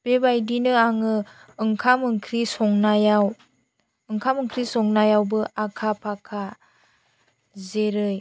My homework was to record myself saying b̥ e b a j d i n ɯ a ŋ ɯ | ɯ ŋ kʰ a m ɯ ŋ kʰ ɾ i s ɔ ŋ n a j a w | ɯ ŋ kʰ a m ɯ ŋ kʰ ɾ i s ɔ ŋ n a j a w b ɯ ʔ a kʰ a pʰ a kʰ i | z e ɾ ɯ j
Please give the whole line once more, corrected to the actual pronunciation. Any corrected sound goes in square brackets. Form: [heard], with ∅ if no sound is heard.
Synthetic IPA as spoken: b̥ e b a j d i n ɯ a ŋ ɯ | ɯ ŋ kʰ a m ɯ ŋ kʰ ɾ i s ɔ ŋ n a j a w | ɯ ŋ kʰ a m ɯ ŋ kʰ ɾ i s ɔ ŋ n a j a w b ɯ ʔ a kʰ a pʰ a kʰ [a] | z e ɾ ɯ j